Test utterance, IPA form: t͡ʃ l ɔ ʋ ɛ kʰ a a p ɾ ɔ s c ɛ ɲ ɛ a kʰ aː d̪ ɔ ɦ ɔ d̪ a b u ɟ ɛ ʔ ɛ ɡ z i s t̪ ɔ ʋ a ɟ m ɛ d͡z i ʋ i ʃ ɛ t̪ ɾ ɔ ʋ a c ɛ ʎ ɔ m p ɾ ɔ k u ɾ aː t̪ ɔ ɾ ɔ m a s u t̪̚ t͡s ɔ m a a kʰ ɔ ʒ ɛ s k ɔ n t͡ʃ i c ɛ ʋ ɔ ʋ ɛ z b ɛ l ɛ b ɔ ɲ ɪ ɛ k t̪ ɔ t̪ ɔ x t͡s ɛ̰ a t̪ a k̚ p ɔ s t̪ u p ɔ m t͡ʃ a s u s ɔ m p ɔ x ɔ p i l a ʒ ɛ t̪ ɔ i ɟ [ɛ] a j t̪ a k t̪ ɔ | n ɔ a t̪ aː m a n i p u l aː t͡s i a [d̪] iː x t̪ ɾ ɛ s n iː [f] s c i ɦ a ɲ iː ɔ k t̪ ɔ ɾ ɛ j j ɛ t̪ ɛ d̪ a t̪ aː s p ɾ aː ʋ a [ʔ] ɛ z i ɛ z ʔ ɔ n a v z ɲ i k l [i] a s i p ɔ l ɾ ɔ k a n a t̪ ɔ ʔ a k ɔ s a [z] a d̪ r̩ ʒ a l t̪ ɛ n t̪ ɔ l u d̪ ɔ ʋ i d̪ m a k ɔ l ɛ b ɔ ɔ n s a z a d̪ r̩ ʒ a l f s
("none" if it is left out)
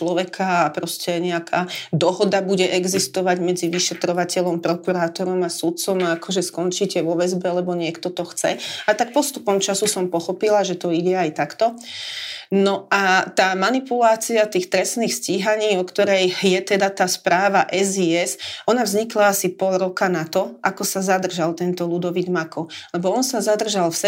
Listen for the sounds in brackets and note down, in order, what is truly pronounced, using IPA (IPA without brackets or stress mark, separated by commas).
ɛ, t̪, x, ʔ, a, z